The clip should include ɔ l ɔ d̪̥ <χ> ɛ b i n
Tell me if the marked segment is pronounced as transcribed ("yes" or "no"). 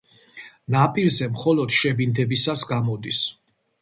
no